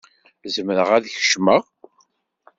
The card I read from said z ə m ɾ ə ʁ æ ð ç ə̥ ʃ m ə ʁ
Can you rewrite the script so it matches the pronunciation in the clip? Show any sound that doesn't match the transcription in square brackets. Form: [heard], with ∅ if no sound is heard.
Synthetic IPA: z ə m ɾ ə ʁ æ ð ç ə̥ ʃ m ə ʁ